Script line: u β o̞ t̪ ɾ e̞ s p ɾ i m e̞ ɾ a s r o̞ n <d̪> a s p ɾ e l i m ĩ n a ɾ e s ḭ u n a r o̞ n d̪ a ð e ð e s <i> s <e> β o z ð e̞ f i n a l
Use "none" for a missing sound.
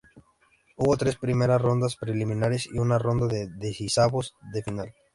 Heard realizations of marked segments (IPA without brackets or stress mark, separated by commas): d̪, i, a